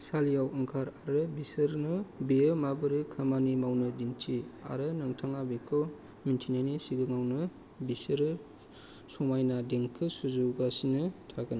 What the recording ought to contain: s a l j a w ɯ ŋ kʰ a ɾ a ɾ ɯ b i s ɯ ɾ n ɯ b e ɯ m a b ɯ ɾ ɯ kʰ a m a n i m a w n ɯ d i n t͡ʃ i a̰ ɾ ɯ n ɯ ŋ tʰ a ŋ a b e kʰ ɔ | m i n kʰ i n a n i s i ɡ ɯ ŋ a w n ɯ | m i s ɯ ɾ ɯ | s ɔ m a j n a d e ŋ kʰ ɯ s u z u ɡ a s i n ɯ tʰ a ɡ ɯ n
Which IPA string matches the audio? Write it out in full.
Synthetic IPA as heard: s a l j a w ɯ ŋ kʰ a ɾ a ɾ ɯ b i s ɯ ɾ n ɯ b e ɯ m a b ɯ ɾ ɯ kʰ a m a n i m a w n ɯ d i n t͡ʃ i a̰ ɾ ɯ n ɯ ŋ tʰ a ŋ a b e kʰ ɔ | m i n tʰ i n a n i s i ɡ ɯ ŋ a w n ɯ | b i s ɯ ɾ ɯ | s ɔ m a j n a d e ŋ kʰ ɯ s u z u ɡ a s i n ɯ tʰ a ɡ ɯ n